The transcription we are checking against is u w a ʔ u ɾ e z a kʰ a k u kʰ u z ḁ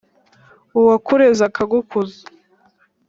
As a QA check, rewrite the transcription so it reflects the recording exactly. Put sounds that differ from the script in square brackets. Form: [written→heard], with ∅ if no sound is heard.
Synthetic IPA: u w a [ʔ→k] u ɾ e z a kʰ a [k→ɡ] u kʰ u z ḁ